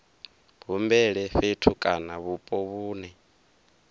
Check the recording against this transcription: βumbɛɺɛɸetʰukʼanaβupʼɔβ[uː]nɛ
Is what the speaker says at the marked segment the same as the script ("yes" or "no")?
yes